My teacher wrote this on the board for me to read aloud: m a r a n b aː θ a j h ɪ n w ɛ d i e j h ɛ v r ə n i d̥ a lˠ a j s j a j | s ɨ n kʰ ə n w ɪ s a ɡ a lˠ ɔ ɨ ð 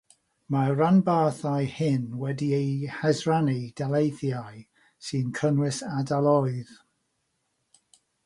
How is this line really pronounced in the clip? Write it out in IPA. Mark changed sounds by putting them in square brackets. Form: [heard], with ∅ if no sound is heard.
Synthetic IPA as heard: m a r a n b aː θ a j h ɪ n w ɛ d i e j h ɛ [z] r [a] n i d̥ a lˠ [e] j [θ] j a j | s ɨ n kʰ ə n w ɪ s a [d] a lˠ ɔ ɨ ð